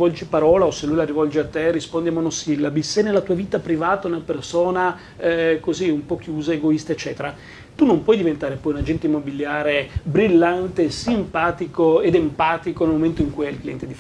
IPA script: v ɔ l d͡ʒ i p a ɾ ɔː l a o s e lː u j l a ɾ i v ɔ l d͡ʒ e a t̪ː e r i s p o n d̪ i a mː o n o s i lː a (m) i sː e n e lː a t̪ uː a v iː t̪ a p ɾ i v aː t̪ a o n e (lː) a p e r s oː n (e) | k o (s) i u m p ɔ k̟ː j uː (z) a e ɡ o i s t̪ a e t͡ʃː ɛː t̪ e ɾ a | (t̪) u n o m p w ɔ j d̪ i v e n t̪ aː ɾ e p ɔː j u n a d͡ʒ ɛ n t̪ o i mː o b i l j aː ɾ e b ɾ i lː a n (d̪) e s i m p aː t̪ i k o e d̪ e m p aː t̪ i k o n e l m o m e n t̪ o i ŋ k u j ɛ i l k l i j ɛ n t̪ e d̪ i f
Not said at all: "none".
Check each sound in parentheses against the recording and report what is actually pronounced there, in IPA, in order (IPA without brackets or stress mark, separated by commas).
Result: b, l, a, z, z, t̪, t̪